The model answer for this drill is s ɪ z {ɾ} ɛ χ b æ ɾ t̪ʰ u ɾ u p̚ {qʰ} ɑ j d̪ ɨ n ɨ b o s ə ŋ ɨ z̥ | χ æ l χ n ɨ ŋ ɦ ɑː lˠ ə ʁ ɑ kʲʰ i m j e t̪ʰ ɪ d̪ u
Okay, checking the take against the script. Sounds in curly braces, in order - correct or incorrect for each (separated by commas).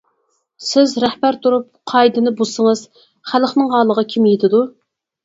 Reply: correct, correct